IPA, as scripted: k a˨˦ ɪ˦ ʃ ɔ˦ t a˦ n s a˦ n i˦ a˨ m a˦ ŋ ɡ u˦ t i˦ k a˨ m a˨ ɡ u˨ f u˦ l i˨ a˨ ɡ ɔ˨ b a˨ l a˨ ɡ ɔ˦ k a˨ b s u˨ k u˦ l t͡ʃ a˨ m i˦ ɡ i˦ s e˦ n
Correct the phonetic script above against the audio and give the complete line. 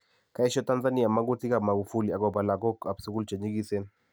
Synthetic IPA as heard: k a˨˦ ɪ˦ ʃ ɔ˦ t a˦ n z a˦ n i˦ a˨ m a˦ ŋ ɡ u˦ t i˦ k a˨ m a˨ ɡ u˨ f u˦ l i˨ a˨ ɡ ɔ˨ b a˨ l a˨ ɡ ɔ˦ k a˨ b s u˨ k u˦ l t͡ʃ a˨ ɲ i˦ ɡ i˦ s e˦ n